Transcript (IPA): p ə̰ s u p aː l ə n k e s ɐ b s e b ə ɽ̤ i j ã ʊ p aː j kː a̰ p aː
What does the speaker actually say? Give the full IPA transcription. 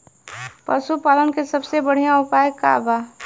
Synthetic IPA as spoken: p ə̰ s u p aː l ə n k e s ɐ b s e b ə ɽ̤ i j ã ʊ p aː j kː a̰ b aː